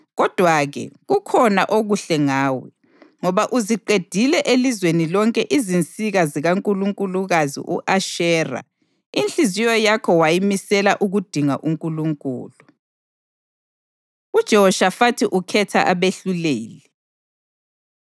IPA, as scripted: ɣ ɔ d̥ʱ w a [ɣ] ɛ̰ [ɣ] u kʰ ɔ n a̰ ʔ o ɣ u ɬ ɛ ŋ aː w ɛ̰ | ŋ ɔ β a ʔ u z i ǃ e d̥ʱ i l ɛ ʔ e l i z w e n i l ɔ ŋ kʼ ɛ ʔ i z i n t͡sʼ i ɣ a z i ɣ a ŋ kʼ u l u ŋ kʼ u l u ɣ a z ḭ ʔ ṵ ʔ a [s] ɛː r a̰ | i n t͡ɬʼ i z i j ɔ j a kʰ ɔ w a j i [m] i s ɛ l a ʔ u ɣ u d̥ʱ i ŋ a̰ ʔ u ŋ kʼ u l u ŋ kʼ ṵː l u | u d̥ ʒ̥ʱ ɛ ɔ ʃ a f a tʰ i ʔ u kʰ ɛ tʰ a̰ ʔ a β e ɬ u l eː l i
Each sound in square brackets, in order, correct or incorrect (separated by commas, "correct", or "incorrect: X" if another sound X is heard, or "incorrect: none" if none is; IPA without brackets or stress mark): correct, correct, incorrect: ʃ, correct